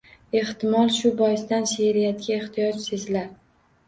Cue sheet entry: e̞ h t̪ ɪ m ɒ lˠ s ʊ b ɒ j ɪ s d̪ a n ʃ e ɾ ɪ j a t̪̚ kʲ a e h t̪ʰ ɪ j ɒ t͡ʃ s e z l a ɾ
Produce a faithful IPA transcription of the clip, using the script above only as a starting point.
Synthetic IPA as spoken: e̞ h t̪ ɪ m ɒ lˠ ʃ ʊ b ɒ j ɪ s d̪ a n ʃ e ɾ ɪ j a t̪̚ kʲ a e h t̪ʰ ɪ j ɒ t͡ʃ s e z l a ɾ